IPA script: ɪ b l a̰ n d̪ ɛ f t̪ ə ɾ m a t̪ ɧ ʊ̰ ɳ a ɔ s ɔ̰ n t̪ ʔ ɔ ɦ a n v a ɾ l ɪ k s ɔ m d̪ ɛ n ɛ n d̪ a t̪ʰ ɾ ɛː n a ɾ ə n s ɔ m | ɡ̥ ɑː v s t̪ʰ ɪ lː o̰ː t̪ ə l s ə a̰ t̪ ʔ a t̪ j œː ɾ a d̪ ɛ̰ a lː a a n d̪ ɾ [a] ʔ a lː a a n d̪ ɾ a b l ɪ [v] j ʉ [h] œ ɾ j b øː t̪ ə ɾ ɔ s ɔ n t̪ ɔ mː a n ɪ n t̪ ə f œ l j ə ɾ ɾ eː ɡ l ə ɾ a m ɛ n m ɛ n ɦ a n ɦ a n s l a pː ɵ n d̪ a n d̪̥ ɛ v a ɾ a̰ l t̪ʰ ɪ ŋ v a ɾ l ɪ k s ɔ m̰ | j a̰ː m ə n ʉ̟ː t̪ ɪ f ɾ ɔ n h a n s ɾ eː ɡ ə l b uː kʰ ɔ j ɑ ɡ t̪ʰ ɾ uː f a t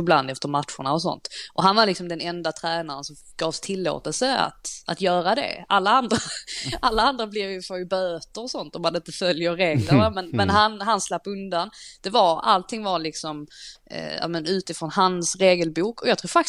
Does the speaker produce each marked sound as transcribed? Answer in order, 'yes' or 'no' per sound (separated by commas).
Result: yes, yes, no